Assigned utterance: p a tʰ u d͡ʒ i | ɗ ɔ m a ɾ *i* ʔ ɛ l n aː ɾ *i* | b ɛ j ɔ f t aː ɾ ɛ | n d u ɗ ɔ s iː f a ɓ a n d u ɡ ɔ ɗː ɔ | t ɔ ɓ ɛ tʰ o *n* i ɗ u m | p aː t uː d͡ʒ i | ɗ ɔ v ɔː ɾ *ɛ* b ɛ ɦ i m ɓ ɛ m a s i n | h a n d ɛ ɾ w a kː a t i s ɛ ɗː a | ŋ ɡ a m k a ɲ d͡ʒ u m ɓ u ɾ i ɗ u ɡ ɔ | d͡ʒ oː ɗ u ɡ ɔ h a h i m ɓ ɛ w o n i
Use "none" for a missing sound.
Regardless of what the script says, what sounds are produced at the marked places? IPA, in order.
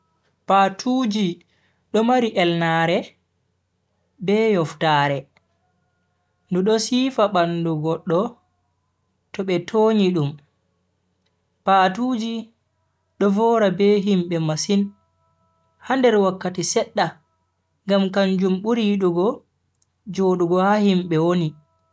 i, ɛ, ɲ, a

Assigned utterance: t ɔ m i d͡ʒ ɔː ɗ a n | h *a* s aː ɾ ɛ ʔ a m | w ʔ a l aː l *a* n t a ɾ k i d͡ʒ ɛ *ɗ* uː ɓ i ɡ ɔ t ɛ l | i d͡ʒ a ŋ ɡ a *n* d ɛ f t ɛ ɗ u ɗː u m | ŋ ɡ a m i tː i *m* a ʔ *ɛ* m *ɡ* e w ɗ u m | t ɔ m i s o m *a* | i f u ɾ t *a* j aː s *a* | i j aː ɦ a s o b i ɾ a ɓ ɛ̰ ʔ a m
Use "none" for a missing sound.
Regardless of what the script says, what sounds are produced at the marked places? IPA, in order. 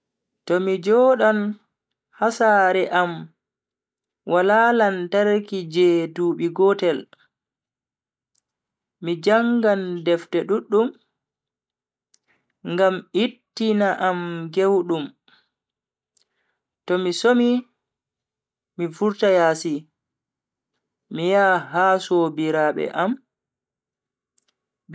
a, a, d, n, n, a, ɡ, i, a, i

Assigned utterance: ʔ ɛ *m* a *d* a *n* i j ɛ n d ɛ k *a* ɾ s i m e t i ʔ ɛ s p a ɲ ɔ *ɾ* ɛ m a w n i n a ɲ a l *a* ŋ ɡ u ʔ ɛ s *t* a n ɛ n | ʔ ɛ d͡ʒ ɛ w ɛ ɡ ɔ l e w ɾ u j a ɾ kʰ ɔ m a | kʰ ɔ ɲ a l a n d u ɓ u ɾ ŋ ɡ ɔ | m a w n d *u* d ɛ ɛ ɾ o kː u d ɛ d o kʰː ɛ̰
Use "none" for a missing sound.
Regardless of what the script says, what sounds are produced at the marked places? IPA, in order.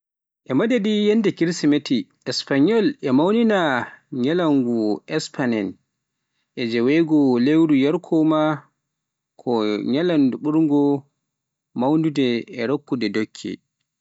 m, d, d, i, l, a, p, u

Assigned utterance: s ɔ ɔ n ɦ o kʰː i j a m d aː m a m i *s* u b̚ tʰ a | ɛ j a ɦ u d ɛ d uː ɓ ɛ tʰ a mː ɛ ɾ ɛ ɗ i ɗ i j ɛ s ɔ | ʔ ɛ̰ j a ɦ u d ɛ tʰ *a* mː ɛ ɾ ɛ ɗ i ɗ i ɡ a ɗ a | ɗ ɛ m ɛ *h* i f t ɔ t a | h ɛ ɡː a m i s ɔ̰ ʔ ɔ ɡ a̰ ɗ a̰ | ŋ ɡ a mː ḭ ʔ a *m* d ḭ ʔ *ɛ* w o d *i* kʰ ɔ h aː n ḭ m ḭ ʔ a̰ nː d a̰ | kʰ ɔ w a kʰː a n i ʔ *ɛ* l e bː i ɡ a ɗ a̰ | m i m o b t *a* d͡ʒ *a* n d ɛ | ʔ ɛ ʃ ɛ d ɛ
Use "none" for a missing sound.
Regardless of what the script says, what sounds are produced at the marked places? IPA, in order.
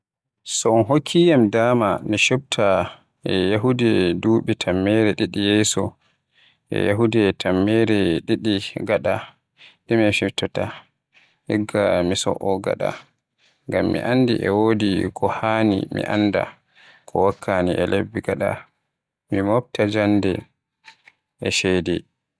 ʃ, a, f, n, ɛ, i, ɛ, a, a

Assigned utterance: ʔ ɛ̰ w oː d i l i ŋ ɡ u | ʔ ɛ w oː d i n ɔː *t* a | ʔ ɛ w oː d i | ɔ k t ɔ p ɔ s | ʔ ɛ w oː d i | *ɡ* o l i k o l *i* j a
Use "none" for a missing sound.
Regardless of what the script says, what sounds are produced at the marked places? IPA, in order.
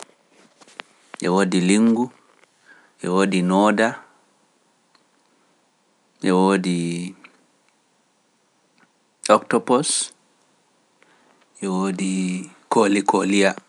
d, k, i

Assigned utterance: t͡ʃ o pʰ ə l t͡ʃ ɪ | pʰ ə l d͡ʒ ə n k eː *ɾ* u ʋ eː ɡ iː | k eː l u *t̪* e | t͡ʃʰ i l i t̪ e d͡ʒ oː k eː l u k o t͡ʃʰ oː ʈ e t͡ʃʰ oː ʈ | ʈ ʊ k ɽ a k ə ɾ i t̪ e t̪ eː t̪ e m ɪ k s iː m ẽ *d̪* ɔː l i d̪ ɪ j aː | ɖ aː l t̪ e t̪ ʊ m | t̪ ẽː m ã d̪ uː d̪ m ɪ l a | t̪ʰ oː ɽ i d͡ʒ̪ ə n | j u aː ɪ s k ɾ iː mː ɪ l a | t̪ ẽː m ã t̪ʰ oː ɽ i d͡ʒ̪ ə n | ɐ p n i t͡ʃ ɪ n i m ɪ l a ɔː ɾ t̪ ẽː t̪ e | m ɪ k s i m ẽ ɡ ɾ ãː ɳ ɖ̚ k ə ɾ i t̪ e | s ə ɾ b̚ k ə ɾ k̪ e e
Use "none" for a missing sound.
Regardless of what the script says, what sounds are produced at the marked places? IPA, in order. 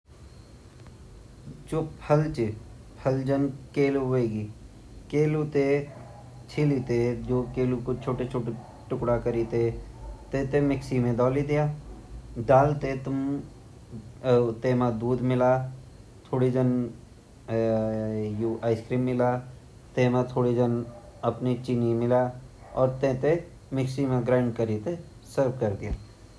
l, t̪, d̪

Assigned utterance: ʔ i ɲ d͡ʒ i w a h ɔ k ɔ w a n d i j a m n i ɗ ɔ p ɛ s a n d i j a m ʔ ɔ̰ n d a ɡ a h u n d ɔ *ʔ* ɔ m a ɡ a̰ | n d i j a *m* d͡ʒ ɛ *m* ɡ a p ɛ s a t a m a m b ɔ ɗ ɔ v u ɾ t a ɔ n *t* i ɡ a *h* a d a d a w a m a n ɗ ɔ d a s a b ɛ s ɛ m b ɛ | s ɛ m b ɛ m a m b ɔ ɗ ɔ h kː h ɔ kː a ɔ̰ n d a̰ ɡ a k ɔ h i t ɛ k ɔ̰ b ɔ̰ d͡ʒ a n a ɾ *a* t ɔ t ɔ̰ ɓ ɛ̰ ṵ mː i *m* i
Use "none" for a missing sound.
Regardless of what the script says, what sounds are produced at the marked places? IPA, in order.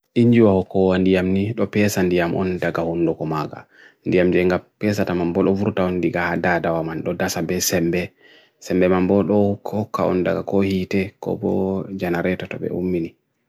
k, m, ŋ, d, h, ɛ, n

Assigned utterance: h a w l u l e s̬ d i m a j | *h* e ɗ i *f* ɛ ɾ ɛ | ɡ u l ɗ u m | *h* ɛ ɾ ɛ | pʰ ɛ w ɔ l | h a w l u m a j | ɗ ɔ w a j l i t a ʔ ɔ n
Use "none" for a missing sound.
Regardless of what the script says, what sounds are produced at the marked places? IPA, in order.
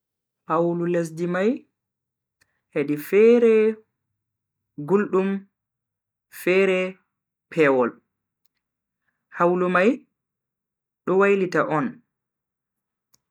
h, f, f

